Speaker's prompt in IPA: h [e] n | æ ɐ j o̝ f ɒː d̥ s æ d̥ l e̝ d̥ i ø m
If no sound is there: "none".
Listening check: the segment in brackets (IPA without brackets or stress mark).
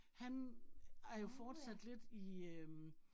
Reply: æ